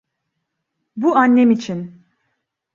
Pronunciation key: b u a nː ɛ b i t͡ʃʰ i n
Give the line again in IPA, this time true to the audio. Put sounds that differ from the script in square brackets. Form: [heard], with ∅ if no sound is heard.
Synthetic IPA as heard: b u a nː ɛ [m] i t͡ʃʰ i n